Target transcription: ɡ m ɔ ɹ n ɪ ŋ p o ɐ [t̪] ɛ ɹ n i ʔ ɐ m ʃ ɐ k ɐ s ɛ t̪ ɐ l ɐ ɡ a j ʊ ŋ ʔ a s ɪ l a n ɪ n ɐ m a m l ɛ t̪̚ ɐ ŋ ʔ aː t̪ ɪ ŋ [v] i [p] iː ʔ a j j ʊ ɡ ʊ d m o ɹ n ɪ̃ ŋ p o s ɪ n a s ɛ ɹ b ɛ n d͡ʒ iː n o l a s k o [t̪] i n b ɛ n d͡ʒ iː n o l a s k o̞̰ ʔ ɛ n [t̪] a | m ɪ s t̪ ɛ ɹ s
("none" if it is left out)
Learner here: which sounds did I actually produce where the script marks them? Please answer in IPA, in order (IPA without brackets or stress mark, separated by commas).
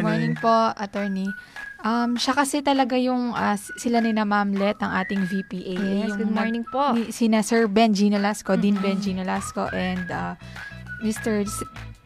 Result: t̪, v, p, d̪, d̪